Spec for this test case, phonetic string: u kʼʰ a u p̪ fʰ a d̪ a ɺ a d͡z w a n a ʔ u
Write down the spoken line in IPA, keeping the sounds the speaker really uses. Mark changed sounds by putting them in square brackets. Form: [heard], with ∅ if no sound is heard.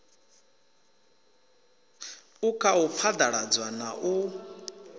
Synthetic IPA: u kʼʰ a u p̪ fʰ a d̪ a ɺ a d͡z w a n a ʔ u